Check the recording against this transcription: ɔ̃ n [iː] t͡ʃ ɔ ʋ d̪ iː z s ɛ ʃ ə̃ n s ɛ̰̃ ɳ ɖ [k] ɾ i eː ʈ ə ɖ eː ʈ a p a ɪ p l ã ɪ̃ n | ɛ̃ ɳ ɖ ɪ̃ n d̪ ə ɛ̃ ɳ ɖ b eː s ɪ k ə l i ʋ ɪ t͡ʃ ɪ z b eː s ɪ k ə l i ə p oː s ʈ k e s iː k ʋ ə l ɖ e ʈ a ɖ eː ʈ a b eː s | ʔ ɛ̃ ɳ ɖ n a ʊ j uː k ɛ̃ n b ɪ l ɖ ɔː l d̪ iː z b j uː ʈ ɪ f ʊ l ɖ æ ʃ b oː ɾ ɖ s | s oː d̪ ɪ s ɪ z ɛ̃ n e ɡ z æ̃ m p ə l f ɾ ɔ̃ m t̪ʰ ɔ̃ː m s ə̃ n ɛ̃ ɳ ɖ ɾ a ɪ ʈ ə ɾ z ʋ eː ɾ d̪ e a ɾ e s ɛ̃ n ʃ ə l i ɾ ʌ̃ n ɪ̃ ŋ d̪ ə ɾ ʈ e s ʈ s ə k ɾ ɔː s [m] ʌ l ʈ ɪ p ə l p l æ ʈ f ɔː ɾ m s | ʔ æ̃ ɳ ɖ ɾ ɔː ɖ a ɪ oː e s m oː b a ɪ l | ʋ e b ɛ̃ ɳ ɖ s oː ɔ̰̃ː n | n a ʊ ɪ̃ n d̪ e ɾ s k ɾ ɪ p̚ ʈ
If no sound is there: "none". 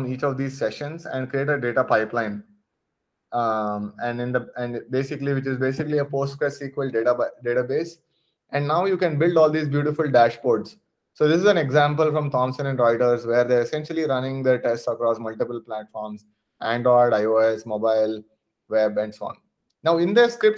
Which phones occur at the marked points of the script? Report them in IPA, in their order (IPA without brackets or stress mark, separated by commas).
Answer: iː, k, m